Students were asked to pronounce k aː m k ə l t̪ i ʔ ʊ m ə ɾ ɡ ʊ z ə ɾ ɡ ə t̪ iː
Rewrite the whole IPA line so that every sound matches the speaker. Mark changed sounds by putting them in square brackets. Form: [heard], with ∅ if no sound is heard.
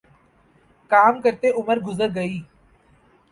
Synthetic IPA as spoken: k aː m k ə [ɾ] t̪ [e] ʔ ʊ m ə ɾ ɡ ʊ z ə ɾ ɡ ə [∅] iː